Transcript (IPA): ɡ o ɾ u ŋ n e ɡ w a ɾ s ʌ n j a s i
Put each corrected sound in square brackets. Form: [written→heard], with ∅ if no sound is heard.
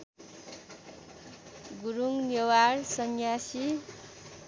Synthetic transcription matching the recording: ɡ [o→u] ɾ u ŋ n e [ɡ→∅] w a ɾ s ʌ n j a s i

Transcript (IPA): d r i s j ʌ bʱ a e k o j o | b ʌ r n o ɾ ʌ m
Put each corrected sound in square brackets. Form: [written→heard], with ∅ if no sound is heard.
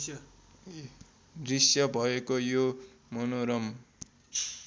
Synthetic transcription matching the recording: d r i s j ʌ bʱ [a→ʌ] e k o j o | [b→m] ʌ [r→∅] n o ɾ ʌ m

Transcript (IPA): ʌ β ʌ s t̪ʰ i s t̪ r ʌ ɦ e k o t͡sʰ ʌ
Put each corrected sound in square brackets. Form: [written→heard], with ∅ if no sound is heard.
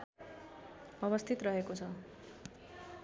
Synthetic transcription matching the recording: ʌ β ʌ s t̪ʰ i [s→∅] t̪ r ʌ ɦ e k o t͡sʰ ʌ

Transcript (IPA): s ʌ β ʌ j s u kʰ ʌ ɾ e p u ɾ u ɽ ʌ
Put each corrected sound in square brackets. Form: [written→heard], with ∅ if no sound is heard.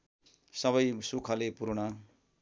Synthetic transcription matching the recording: s ʌ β ʌ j s u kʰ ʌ [ɾ→l] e p u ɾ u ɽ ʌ

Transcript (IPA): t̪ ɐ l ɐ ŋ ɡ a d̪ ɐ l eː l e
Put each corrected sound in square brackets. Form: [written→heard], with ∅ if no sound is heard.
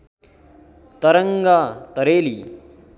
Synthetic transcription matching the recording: t̪ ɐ [l→ɾ] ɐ ŋ ɡ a [d̪→t̪] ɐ [l→ɾ] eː l [e→i]

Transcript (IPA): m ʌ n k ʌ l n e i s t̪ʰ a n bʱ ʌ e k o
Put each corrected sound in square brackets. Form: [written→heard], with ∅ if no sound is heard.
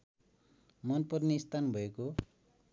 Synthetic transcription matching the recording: m ʌ n [k→p] ʌ [l→r] n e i s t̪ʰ a n bʱ ʌ e k o

